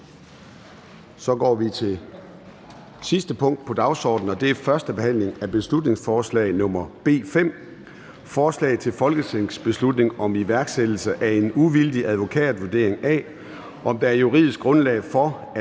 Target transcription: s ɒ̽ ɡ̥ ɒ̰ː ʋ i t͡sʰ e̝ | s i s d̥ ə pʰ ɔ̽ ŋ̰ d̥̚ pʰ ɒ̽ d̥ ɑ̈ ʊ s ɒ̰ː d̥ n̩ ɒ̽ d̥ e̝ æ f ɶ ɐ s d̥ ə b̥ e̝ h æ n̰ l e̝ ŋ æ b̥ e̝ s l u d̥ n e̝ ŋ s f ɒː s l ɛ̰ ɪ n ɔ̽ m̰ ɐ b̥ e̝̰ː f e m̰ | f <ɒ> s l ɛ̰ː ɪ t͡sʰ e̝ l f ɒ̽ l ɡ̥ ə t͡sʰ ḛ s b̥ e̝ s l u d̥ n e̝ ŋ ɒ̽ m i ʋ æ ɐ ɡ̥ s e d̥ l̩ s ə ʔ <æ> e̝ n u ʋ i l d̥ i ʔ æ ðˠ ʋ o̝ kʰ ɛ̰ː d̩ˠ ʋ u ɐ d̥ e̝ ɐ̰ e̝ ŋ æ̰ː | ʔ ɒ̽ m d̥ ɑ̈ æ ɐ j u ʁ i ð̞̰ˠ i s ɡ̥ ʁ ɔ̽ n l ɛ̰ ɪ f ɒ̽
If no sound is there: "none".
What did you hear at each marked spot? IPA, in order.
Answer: ɒː, æ

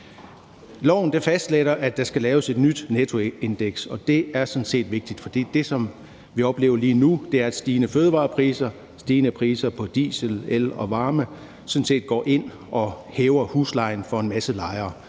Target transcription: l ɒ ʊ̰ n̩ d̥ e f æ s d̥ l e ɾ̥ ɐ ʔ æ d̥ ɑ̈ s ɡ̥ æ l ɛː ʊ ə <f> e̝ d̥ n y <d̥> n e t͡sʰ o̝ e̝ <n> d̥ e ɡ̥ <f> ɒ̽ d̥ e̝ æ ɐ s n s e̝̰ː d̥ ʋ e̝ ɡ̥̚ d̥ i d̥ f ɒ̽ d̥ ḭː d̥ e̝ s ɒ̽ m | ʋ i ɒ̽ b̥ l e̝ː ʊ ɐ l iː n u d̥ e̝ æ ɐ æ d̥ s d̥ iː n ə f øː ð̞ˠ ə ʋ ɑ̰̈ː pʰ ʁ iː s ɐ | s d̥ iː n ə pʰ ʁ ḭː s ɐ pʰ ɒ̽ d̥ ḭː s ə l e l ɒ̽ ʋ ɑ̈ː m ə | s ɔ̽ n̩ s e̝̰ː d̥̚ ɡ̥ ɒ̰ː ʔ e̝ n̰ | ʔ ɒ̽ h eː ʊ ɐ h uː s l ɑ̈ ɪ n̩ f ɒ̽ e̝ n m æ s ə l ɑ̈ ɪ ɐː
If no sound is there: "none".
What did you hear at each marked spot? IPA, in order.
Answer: s, d̥, n, s

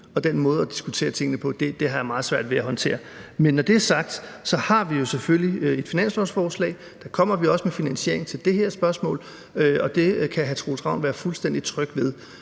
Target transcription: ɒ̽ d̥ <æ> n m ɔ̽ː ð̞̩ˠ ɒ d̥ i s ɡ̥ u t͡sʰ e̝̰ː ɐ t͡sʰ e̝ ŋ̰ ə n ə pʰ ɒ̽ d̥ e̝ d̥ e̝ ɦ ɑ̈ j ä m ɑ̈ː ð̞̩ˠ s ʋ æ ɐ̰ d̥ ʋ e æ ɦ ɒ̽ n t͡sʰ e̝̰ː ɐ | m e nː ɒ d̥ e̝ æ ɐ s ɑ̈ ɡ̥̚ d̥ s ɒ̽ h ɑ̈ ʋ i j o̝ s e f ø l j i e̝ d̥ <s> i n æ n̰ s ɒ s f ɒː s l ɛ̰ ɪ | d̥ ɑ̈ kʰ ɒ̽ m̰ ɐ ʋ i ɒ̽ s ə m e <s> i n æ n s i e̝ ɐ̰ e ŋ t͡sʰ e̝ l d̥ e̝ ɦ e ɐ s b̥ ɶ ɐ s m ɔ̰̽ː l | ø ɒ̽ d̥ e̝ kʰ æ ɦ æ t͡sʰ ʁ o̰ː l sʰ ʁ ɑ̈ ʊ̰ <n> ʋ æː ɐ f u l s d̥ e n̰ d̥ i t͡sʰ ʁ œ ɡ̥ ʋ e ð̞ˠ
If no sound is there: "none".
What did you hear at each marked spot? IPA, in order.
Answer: e, f, f, n

